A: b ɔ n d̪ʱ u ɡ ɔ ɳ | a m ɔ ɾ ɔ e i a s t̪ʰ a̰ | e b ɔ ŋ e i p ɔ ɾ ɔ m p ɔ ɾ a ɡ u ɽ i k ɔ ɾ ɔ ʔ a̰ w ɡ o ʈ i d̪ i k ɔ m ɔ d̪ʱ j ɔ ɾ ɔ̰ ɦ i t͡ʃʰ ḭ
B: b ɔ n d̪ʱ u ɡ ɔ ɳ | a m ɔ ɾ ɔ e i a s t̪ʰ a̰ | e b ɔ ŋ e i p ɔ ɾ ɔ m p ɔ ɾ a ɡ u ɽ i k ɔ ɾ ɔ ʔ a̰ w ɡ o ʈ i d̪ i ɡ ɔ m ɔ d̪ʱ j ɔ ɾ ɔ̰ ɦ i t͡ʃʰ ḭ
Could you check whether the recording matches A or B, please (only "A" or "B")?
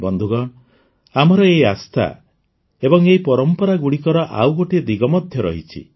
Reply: B